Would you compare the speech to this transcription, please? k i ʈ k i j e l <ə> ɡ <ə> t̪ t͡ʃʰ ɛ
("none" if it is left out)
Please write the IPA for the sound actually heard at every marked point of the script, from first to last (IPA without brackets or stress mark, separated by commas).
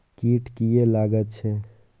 a, ə